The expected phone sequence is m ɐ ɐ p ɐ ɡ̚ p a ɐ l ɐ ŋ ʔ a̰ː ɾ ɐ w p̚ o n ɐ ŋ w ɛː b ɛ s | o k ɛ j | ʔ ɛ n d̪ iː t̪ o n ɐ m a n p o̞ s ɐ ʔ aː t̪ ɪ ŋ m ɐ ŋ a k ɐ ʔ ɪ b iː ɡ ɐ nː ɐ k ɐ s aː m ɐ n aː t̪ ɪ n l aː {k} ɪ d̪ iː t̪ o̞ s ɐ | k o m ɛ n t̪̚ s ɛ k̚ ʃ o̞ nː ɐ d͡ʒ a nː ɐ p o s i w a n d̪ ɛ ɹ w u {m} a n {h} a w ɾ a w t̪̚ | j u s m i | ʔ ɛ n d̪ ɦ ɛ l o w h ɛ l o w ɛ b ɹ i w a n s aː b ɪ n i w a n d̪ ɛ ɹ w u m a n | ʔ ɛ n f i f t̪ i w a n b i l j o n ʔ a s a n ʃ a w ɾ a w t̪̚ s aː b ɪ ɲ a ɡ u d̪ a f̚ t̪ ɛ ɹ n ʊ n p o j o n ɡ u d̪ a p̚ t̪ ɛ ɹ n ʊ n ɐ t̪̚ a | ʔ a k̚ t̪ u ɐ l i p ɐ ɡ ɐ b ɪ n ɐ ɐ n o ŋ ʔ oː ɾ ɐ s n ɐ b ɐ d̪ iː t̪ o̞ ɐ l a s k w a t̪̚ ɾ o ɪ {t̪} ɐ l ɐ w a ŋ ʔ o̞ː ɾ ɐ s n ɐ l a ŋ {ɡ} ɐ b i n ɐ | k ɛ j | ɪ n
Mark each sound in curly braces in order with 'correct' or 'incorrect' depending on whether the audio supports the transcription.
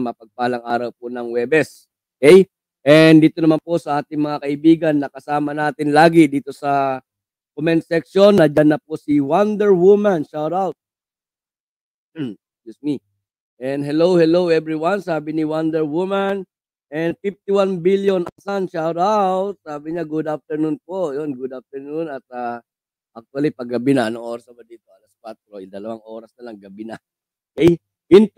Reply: incorrect: ɡ, correct, incorrect: ʃ, incorrect: d̪, correct

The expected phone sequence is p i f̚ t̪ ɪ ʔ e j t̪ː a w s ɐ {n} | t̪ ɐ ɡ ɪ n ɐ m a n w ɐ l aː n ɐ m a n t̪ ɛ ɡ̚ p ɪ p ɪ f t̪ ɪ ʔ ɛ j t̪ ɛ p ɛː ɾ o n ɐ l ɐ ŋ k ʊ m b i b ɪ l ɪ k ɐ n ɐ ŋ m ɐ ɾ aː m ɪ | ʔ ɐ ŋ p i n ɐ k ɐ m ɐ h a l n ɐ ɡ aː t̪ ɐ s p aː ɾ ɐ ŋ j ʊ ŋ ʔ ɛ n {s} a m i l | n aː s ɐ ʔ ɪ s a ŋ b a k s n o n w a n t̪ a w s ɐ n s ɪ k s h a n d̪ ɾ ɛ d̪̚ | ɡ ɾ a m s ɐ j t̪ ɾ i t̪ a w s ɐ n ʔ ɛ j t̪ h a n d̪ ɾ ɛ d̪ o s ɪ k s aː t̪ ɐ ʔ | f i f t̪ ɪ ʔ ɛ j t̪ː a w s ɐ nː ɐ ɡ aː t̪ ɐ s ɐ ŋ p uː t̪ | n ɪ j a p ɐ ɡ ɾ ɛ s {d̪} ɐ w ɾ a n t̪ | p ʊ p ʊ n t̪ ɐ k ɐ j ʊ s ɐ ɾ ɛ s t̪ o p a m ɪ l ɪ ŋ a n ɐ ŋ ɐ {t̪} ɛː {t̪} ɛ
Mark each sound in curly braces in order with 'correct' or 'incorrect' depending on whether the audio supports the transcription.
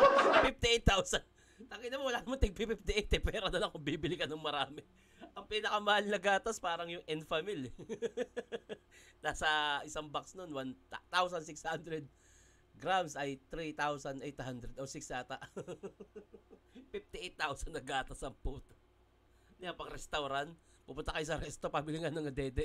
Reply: correct, incorrect: f, incorrect: t̪, incorrect: d̪, incorrect: d̪

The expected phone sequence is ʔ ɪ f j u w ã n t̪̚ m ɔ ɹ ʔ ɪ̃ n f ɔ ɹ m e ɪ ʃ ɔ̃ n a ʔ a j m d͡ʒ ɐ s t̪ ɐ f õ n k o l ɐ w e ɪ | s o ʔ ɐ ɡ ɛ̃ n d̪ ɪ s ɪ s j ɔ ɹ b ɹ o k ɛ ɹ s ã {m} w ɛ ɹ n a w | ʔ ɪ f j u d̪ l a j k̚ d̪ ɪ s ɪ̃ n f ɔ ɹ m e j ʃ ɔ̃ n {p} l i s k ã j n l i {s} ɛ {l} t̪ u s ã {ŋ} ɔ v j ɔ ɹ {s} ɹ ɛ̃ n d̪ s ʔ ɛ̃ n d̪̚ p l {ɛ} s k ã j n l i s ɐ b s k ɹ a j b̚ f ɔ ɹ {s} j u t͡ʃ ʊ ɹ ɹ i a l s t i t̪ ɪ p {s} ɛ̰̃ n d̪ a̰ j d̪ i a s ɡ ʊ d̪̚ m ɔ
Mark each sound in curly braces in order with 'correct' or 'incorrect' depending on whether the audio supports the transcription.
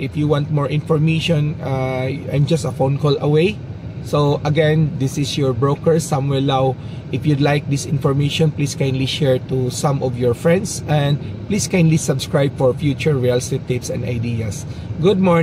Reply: correct, correct, incorrect: ʃ, incorrect: ɹ, incorrect: m, incorrect: f, incorrect: i, incorrect: f, correct

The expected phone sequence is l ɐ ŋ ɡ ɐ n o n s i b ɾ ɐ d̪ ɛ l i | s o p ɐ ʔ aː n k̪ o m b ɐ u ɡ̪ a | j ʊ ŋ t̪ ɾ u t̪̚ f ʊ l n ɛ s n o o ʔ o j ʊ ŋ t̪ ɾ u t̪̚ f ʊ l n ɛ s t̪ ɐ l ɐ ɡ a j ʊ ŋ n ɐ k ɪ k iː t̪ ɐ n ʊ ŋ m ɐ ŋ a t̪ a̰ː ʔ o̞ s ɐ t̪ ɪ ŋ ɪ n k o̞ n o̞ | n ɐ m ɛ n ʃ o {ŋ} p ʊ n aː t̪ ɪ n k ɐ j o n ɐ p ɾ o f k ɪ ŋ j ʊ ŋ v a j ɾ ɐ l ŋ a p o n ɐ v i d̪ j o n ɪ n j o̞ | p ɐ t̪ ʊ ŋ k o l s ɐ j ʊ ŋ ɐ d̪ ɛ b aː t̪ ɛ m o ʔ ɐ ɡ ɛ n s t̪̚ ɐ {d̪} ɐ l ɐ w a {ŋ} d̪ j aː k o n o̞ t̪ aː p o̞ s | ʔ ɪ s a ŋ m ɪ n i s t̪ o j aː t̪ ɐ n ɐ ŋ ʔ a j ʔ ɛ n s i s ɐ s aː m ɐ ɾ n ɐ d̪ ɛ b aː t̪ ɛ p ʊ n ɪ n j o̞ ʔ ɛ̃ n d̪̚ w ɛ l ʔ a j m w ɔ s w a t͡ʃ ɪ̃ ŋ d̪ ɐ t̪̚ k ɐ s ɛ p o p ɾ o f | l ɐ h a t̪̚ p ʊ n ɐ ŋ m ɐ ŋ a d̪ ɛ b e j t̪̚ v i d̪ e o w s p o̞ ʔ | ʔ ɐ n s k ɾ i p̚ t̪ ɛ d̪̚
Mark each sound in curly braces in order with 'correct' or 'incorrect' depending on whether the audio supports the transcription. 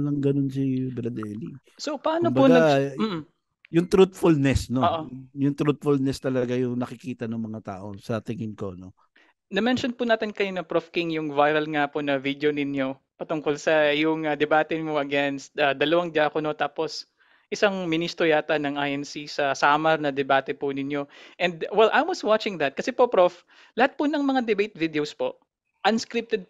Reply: incorrect: n, correct, correct

